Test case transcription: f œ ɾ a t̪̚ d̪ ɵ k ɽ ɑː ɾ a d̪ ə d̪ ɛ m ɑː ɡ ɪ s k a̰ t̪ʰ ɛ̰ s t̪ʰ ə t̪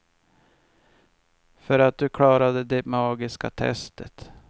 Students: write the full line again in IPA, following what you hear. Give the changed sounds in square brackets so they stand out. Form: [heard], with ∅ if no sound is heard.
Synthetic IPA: f œ ɾ a t̪̚ d̪ ɵ [kʰ] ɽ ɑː ɾ a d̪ ə d̪ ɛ m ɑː ɡ ɪ s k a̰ t̪ʰ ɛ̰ s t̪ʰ ə t̪